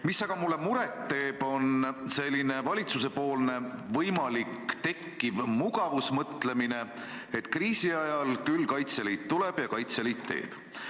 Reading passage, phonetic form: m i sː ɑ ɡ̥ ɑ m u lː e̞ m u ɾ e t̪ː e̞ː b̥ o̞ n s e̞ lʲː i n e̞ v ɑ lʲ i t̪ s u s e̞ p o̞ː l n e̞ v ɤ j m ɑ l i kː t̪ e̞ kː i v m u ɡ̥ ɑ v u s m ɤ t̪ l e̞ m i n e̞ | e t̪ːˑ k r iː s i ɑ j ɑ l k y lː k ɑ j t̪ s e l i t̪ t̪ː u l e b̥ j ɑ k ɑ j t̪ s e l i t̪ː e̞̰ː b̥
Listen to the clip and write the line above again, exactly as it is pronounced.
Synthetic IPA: m i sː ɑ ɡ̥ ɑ m u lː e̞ m u ɾ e t̪ː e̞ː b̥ o̞ n s e̞ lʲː i n e̞ v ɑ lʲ i t̪ s u s e̞ p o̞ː l n e̞ v ɤ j m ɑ l i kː t̪ e̞ kː i v m u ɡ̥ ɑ v u s m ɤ t̪ l e̞ m i n e̞ | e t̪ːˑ k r iː s i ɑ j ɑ l k y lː k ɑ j t̪ s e l i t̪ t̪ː u l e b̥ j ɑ k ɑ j t̪ s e l i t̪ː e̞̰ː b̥